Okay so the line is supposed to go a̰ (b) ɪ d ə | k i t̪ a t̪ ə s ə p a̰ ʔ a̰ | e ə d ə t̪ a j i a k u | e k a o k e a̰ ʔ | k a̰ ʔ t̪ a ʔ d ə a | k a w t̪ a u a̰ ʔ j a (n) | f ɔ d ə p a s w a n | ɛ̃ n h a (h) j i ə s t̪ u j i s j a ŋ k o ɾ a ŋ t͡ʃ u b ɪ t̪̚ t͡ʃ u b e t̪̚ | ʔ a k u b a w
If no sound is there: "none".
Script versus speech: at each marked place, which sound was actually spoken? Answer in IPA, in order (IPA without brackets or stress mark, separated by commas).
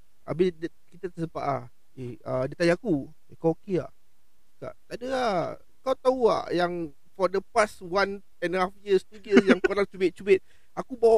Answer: b, ŋ, f